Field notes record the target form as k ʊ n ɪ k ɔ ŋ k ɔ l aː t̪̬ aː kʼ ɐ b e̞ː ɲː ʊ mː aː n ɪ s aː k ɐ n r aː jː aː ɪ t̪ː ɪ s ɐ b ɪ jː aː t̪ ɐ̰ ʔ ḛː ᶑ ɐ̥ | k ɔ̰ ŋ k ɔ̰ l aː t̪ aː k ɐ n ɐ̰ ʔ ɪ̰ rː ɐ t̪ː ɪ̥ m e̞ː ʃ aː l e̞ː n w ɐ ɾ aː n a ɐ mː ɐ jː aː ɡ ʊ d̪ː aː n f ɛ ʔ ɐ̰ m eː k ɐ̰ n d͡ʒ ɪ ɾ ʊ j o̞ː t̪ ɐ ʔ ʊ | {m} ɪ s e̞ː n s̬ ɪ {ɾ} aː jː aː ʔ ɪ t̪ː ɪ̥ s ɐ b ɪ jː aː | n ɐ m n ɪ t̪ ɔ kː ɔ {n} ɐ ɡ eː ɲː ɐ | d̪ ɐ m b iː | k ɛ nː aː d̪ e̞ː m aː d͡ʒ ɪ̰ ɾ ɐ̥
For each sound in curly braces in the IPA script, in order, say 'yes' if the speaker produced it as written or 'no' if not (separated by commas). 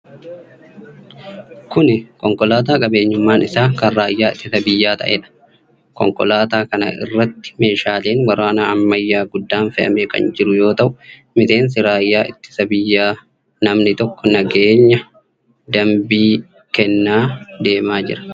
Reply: yes, yes, yes